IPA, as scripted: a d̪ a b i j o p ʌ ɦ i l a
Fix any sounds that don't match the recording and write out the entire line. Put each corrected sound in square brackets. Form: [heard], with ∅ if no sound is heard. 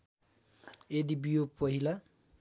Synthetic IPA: [e] d̪ [i] b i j o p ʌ ɦ i l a